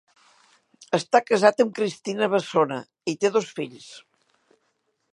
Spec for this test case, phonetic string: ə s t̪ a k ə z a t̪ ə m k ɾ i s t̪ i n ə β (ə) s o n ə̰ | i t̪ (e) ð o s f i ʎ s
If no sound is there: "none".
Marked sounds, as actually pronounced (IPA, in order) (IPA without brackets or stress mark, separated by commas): ə, e